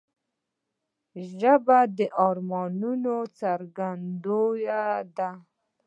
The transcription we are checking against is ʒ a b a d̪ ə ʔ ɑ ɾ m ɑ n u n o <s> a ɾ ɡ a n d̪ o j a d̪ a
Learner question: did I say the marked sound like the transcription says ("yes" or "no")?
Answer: no